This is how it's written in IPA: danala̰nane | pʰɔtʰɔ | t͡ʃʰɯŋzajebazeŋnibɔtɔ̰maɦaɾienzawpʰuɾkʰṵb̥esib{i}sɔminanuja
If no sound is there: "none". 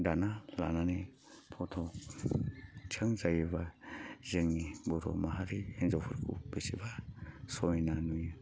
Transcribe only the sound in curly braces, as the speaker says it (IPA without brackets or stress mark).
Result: a